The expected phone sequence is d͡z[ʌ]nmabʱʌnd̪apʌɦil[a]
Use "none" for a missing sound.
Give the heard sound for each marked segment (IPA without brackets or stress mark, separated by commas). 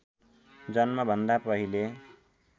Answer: ʌ, e